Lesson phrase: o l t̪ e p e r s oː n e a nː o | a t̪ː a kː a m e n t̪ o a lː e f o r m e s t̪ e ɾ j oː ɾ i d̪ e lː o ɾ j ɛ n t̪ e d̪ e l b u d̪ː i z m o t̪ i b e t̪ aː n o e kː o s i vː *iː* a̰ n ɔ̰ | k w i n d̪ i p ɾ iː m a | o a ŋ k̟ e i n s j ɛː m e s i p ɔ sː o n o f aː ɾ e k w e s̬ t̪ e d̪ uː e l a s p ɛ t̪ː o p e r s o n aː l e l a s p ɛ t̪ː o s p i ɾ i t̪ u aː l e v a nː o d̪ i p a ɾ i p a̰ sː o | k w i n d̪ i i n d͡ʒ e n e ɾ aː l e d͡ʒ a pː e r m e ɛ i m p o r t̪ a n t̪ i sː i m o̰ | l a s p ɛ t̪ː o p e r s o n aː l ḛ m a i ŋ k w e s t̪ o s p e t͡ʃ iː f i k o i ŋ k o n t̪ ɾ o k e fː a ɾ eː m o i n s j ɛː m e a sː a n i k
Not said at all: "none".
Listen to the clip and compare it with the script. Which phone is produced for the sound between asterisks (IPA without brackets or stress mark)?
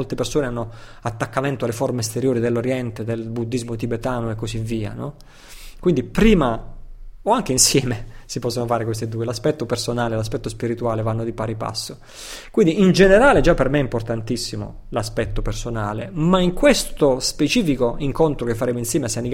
iː